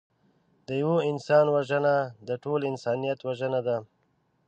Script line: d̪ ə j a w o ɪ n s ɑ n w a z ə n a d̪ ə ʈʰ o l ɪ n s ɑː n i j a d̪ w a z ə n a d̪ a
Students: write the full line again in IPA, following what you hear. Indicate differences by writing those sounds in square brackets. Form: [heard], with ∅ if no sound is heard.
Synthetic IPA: d̪ ə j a w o ɪ n s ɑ n w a [ʒ] ə n a d̪ ə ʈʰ o l ɪ n s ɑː n i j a [t̪] w a [ʒ] ə n a d̪ a

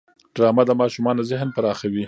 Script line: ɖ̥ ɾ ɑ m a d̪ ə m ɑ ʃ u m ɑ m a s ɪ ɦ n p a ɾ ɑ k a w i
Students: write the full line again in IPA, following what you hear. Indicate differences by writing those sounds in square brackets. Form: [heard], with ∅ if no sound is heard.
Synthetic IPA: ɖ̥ ɾ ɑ m a d̪ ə m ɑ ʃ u m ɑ [n] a [z] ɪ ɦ n p a ɾ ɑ [x] a w i

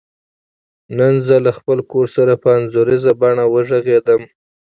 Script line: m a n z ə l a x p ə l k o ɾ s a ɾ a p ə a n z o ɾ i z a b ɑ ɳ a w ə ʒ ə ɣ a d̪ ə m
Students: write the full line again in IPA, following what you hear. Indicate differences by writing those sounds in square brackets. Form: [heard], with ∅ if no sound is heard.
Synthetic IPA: [n] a n z ə l a x p ə l k o ɾ s a ɾ a p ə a n z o ɾ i z a b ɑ ɳ a w ə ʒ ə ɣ [e] d̪ ə m

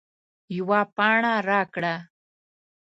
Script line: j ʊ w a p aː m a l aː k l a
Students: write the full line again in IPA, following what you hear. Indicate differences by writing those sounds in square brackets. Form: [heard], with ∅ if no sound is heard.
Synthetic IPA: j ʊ w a p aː [ɳ] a [ɾ] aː k [ɽ] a

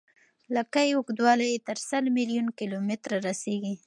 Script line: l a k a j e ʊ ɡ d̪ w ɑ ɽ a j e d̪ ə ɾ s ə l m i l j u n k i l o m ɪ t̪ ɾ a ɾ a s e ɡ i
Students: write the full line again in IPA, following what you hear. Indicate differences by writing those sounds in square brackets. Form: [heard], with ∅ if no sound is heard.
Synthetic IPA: l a k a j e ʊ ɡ d̪ w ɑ [l] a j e [t̪] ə ɾ s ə l m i l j u n k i l o m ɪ t̪ ɾ a ɾ a s e ɡ i

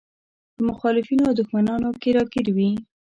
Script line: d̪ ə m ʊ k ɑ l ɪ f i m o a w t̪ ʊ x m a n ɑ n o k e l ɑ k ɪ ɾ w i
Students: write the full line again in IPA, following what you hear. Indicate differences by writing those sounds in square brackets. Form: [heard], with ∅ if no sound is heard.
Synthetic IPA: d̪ ə m ʊ [x] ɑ l ɪ f i [n] o a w [d̪] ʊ x m a n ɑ n o k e [ɾ] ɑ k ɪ ɾ w i

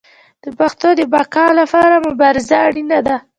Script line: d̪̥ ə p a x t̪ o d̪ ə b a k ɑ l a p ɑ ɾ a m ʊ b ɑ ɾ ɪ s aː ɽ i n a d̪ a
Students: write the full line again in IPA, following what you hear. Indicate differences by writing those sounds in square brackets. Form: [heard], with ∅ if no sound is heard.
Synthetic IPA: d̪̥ ə p a x t̪ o d̪ ə b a k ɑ l a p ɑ ɾ a m ʊ b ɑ ɾ ɪ [z] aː ɽ i n a d̪ a

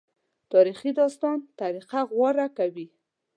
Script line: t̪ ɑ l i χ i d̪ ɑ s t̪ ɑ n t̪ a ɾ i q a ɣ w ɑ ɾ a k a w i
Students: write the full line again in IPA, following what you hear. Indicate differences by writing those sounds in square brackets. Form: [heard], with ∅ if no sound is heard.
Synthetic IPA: t̪ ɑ [ɾ] i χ i d̪ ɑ s t̪ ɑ n t̪ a ɾ i q a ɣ w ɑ ɾ a k a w i

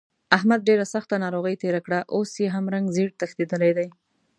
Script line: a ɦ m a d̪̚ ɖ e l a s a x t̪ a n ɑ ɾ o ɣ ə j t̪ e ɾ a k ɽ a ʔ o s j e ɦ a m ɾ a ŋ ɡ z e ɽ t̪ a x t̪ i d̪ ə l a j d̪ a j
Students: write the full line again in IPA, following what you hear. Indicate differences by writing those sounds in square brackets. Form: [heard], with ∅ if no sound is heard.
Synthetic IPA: a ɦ m a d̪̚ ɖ e [ɾ] a s a x t̪ a n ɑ ɾ o ɣ ə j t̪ e ɾ a k ɽ a ʔ o s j e ɦ a m ɾ a ŋ ɡ z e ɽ t̪ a x t̪ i d̪ ə l a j d̪ a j

